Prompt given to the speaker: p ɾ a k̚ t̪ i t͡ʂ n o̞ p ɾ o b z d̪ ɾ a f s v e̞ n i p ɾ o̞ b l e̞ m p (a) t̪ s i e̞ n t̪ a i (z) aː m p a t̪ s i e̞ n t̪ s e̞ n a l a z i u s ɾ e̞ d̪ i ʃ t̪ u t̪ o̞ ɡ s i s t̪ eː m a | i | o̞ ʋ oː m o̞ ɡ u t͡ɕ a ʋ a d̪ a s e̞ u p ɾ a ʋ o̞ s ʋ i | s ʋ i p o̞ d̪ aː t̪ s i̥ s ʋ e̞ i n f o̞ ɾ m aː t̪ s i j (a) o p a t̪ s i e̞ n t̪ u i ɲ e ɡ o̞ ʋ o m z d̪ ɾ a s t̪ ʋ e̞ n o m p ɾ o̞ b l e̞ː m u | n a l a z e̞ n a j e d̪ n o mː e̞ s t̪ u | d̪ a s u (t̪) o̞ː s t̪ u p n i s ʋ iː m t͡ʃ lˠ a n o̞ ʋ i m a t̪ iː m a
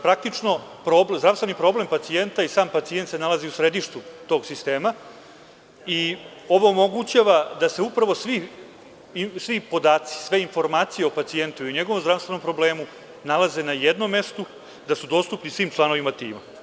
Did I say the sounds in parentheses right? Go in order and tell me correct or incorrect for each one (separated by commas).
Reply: correct, incorrect, incorrect, incorrect